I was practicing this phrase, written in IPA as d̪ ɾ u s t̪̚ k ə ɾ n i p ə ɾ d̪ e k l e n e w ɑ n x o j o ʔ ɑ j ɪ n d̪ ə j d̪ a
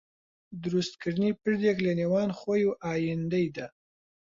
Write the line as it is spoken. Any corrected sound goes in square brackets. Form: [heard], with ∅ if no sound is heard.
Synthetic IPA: d̪ ɾ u s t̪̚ k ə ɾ n i p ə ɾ d̪ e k l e n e w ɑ n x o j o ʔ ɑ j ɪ n d̪ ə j d̪ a